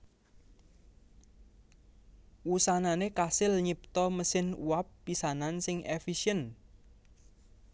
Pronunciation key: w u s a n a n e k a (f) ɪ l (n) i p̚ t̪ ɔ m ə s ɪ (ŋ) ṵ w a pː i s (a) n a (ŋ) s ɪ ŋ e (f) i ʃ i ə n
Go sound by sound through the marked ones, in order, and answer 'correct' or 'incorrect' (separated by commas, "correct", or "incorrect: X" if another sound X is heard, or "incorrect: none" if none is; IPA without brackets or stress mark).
incorrect: s, incorrect: ɲ, incorrect: n, correct, incorrect: n, correct